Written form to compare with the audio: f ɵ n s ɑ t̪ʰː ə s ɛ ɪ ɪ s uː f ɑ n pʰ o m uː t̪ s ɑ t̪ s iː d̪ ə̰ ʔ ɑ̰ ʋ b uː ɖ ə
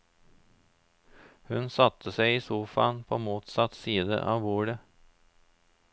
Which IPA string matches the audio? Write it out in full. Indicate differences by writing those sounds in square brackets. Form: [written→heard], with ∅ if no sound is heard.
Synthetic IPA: [f→h] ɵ n s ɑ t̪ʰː ə s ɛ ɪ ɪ s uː f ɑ n pʰ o m uː t̪ s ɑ t̪ s iː d̪ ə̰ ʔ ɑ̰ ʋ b uː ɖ ə